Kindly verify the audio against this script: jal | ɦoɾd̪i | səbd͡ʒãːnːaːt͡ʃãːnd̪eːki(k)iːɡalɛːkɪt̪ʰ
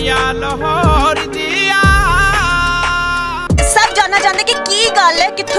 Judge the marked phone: correct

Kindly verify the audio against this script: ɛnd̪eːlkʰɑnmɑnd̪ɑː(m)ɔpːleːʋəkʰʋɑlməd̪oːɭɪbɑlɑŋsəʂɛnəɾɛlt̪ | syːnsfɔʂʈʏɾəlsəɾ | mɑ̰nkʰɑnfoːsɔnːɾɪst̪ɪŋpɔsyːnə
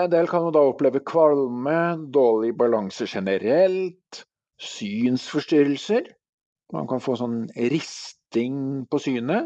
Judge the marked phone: incorrect: none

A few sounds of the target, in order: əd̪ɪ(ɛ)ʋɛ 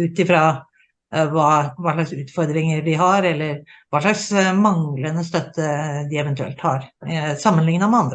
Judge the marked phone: correct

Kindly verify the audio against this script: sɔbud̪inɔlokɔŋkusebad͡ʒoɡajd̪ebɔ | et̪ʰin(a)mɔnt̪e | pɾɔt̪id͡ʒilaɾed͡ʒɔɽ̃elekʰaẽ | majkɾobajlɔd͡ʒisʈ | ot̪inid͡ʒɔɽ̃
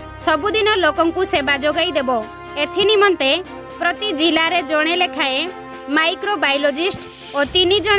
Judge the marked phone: incorrect: i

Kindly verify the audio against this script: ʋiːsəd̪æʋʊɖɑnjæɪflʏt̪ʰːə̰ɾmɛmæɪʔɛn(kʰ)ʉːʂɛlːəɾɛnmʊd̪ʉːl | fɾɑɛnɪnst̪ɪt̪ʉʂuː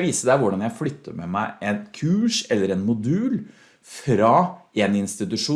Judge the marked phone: correct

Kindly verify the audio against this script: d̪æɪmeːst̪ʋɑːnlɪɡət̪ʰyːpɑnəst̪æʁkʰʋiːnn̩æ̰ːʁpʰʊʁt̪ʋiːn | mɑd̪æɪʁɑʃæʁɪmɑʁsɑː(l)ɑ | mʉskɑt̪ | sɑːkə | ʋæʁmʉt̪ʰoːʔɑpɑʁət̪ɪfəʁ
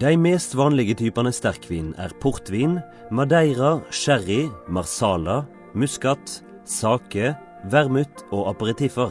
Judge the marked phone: correct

